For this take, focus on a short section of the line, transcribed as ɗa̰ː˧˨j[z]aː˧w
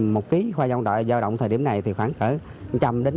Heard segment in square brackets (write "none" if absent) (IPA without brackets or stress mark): z